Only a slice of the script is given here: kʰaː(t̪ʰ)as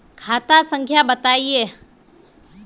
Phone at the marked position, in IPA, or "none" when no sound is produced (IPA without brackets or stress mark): t̪